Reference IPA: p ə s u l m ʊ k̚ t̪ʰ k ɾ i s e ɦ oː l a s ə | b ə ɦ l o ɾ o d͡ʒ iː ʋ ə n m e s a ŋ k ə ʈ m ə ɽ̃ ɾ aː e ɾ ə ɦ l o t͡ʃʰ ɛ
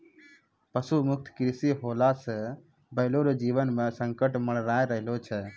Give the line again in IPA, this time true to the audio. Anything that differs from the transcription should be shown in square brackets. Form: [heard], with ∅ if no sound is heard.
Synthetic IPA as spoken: p ə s u [∅] m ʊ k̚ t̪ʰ k ɾ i s [i] ɦ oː l a s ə | b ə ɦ l o ɾ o d͡ʒ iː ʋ ə n m e s [ə] ŋ k ə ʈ m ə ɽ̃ ɾ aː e ɾ ə ɦ l o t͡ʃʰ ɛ